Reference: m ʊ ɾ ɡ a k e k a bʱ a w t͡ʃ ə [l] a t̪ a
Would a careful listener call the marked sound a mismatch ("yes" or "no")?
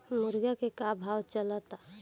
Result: no